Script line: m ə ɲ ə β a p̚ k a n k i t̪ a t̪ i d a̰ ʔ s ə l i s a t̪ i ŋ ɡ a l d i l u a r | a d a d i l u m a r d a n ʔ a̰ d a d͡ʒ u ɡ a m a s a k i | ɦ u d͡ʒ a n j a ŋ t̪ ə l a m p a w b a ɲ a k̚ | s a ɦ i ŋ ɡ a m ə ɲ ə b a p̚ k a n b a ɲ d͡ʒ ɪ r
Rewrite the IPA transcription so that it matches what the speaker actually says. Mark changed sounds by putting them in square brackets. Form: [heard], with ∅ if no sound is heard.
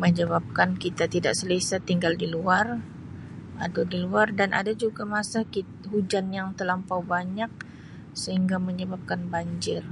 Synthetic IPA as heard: m ə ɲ ə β a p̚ k a n k i t̪ a t̪ i d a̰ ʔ s ə l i s a t̪ i ŋ ɡ a l d i l u a r | a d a d i l u [∅] a r d a n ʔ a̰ d a d͡ʒ u ɡ a m a s a k i | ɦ u d͡ʒ a n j a ŋ t̪ ə l a m p a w b a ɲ a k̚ | s [ə] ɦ i ŋ ɡ a m ə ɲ ə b a p̚ k a n b a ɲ d͡ʒ ɪ r